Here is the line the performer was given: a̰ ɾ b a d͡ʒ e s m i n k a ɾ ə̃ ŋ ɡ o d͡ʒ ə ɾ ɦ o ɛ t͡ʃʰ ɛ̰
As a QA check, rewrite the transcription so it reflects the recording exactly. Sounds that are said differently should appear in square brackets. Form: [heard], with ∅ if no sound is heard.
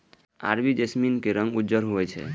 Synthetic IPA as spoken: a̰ ɾ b [i] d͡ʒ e s m i n k [e] ɾ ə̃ ŋ ɡ [u] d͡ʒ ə ɾ ɦ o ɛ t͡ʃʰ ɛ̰